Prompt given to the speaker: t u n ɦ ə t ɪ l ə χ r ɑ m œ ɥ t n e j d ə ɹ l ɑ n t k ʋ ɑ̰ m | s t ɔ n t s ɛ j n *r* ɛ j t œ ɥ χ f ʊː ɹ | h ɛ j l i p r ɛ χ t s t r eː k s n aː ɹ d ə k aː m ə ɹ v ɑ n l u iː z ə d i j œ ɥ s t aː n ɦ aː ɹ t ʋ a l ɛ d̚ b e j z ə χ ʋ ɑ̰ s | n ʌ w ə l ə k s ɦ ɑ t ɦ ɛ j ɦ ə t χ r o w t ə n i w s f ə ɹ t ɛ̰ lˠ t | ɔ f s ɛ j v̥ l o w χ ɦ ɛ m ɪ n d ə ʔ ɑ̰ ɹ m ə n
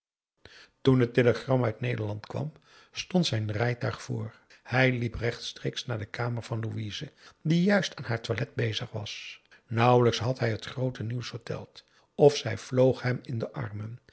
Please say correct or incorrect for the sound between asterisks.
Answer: correct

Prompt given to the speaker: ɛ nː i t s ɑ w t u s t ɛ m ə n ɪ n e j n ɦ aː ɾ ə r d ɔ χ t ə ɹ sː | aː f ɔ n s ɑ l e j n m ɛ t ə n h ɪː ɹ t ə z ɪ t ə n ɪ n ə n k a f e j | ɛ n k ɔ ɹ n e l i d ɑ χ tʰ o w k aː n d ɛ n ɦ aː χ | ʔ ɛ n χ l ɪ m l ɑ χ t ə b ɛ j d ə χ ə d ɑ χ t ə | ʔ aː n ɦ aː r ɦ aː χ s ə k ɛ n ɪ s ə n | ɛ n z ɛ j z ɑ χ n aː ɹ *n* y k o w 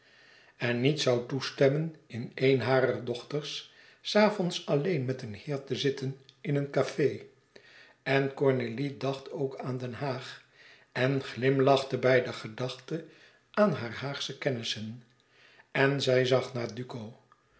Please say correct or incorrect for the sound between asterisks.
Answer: incorrect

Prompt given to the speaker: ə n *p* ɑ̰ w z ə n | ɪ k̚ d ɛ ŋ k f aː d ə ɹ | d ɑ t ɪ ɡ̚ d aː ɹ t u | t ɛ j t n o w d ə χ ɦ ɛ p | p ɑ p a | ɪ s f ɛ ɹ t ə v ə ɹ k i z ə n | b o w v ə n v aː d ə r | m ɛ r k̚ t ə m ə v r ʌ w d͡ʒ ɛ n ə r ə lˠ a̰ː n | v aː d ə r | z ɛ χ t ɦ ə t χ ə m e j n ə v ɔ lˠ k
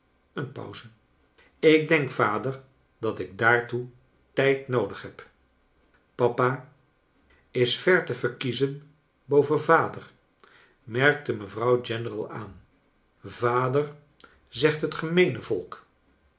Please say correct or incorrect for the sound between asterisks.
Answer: correct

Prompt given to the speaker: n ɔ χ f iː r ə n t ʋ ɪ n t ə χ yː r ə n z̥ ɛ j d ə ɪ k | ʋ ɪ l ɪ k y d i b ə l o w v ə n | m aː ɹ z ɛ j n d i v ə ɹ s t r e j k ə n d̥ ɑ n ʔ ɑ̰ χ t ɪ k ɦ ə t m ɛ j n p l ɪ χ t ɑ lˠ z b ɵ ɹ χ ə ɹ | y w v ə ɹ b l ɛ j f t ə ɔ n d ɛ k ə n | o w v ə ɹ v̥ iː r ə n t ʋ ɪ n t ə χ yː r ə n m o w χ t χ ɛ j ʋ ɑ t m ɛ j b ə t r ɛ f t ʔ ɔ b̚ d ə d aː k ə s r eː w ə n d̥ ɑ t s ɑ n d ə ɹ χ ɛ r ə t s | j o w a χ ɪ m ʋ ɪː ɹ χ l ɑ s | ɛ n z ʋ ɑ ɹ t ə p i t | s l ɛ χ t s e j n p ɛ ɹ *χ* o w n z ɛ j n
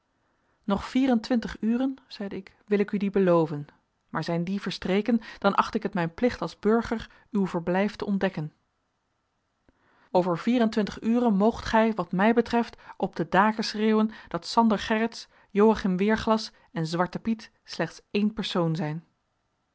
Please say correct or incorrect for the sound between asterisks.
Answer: incorrect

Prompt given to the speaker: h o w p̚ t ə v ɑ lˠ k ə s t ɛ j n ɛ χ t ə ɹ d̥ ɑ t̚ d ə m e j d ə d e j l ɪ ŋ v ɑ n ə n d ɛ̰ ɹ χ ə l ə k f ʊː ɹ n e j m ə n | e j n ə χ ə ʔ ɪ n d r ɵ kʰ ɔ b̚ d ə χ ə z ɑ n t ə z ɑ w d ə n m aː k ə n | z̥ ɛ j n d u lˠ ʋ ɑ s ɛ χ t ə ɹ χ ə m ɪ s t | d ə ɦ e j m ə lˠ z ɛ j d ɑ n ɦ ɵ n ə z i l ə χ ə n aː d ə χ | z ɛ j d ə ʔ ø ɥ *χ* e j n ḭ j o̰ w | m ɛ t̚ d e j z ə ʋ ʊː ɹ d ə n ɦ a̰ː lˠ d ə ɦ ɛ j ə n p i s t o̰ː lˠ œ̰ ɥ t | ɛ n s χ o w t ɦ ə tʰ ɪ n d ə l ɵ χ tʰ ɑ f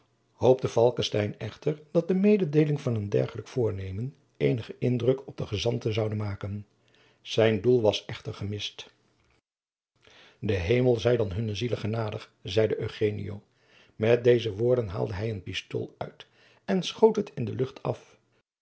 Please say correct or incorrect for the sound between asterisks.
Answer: correct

